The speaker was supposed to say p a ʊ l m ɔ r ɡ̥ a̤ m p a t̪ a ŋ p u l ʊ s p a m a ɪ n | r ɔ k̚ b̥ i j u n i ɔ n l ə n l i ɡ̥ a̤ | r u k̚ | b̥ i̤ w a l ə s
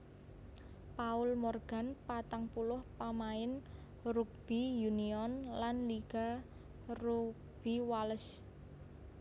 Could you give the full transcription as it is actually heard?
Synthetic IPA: p a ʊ l m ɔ r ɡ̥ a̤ n p a t̪ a ŋ p u l ʊ h p a m a ɪ n | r u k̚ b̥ i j u n i ɔ n l a n l i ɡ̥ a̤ | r u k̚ | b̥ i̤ w a l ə s